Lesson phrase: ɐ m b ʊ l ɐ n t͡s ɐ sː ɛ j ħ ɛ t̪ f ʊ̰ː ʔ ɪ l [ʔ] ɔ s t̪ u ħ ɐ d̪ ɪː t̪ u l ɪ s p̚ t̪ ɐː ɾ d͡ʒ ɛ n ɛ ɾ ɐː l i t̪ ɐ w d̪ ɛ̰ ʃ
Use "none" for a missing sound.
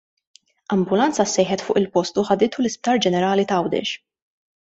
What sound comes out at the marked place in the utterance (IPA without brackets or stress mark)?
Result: p